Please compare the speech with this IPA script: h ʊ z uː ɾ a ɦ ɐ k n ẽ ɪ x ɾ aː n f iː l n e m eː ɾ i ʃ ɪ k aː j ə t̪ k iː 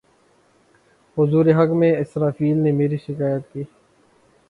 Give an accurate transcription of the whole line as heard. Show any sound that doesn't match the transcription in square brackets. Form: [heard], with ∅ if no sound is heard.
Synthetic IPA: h ʊ z uː ɾ [e] ɦ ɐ k [m] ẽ ɪ [s] ɾ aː [∅] f iː l n e m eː ɾ i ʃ ɪ k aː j ə t̪ k iː